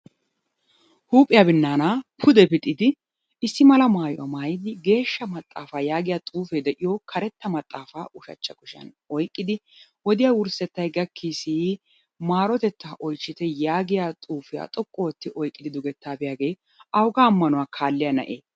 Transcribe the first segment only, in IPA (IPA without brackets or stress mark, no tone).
h